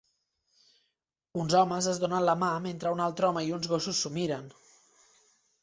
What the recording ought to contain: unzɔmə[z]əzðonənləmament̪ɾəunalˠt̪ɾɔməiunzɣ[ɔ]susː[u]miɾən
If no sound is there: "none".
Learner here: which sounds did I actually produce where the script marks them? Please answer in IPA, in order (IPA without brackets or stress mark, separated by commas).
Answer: z, o, u